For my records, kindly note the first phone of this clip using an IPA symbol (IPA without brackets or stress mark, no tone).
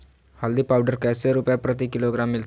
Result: h